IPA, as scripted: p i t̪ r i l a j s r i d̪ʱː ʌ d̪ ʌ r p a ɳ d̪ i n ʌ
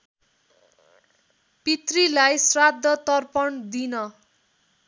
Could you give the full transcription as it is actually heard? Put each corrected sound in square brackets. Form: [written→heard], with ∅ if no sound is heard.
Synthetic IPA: p i t̪ r i l a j s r [i→a] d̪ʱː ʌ [d̪→t̪] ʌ r p [a→ʌ] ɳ d̪ i n ʌ

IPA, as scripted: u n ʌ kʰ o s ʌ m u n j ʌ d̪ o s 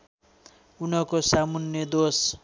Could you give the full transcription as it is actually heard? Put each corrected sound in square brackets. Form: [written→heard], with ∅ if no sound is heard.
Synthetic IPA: u n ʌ [kʰ→k] o s [ʌ→a] m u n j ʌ d̪ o s

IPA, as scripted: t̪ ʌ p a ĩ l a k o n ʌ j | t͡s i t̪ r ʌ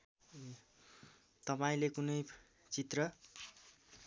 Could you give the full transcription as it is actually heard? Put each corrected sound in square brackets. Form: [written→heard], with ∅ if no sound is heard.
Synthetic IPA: t̪ ʌ p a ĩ l [a→e] k [o→u] n ʌ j | t͡s i t̪ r ʌ

